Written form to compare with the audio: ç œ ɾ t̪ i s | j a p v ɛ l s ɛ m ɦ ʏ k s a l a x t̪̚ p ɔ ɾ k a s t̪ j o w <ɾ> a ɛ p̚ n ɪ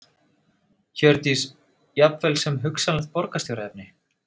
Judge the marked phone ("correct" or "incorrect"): correct